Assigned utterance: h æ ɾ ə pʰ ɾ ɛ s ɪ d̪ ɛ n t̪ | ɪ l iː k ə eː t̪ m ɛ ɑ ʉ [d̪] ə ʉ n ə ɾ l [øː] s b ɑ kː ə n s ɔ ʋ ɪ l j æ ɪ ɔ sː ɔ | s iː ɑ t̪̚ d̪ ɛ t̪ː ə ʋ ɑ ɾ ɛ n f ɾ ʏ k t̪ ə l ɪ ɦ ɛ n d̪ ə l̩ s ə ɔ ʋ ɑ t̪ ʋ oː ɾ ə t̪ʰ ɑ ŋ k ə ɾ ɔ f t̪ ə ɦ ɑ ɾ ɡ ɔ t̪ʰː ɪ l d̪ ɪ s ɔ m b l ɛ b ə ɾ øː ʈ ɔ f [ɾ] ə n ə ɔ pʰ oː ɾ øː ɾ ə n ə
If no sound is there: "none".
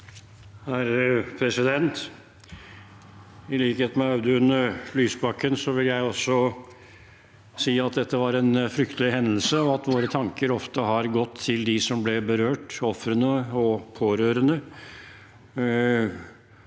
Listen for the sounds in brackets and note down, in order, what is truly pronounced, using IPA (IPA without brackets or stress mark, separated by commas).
d̪, yː, ɾ